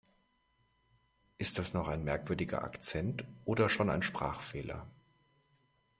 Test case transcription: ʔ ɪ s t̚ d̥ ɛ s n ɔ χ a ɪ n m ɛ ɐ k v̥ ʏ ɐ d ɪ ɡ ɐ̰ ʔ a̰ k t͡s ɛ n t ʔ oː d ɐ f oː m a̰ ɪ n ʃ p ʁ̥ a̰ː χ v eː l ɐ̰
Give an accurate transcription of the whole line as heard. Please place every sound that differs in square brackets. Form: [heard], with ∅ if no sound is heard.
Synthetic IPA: ʔ ɪ s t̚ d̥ [a] s n ɔ χ a ɪ n m ɛ ɐ k v̥ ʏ ɐ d ɪ ɡ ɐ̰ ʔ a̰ k t͡s ɛ n t ʔ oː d ɐ [ʃ] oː [n] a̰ ɪ n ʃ p ʁ̥ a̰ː χ [f] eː l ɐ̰